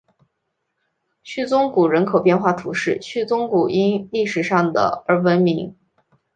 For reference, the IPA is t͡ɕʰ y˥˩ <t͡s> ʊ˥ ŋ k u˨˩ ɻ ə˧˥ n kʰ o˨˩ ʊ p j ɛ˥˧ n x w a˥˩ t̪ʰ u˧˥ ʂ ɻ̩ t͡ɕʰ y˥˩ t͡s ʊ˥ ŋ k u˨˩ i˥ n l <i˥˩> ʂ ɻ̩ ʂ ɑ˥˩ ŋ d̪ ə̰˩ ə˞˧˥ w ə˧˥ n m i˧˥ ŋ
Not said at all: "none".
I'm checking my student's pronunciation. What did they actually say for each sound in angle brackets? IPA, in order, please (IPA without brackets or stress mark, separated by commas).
t͡s, i˥˩